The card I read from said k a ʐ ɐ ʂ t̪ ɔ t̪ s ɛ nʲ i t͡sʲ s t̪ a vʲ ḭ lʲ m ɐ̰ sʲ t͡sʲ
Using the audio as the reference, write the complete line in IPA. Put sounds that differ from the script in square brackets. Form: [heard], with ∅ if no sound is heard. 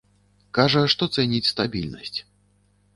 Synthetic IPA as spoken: k a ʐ ɐ ʂ t̪ ɔ t̪ s ɛ nʲ i t͡sʲ s t̪ a [bʲ] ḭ lʲ [n] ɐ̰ sʲ t͡sʲ